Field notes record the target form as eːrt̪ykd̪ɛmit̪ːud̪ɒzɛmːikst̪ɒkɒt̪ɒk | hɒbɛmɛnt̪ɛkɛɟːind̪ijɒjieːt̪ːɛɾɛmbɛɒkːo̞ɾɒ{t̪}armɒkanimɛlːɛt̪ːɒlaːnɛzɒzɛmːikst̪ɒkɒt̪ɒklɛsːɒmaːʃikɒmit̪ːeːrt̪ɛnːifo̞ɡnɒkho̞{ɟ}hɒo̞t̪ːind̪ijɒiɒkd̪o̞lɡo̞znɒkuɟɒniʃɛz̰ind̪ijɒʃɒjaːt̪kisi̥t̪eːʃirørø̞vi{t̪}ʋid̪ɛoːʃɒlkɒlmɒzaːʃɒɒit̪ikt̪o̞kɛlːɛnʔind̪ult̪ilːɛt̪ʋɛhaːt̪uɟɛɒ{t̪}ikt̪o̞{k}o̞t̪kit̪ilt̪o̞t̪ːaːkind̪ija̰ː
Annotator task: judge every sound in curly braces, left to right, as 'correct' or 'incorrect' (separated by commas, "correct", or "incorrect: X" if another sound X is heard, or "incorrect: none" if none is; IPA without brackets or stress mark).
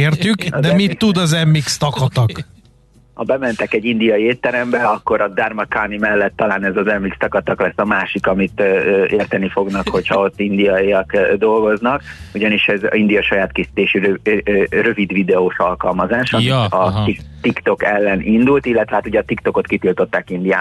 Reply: incorrect: d̪, incorrect: c, incorrect: d̪, correct, correct